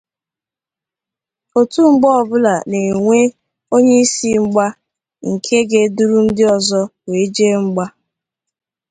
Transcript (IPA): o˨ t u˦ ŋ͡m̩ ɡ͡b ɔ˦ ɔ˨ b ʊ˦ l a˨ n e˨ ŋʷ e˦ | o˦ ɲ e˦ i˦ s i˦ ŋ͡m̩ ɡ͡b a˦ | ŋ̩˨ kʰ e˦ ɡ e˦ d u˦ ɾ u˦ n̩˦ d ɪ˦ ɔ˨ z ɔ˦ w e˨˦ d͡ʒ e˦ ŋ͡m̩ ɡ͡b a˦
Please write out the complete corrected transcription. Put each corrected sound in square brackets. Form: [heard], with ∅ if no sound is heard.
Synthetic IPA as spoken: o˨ t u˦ ŋ͡m̩ ɡ͡b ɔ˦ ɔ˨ b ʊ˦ l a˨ n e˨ ŋʷ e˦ | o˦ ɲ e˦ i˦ s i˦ ŋ͡m̩ ɡ͡b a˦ | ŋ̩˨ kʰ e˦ ɡ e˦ d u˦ ɾ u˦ n̩˦ d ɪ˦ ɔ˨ z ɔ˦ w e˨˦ d͡ʒ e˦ ŋ͡m̩ ɡ͡b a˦